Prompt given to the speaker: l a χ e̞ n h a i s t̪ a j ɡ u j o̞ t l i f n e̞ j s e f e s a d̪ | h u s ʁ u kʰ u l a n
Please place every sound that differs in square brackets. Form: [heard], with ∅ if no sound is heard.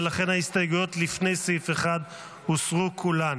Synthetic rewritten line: l a χ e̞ n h a i s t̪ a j ɡ u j o̞ t l i f n e̞ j s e f e [χ] a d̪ | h u s ʁ u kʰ u l a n